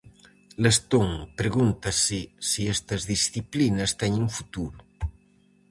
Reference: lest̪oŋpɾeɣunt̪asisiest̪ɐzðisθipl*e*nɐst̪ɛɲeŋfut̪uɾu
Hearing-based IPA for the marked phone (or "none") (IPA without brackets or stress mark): i